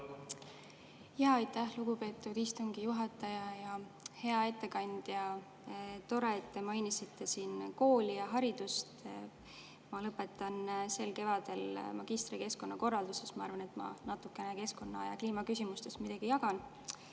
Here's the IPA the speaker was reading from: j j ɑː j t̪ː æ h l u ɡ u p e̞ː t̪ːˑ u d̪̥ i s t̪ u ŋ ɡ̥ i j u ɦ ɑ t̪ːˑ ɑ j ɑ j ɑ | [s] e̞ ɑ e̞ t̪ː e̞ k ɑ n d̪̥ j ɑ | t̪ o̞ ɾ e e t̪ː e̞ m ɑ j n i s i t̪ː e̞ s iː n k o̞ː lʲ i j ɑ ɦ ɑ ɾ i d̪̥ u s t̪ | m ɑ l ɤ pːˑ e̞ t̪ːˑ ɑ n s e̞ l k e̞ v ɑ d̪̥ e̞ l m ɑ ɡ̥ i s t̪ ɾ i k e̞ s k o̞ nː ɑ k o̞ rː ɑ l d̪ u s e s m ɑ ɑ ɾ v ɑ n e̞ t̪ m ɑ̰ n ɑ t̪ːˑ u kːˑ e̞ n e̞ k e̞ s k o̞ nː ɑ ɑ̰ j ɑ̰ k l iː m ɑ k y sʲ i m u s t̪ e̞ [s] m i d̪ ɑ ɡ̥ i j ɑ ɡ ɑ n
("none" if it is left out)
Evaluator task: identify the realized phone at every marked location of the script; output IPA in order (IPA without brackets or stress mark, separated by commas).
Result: h, s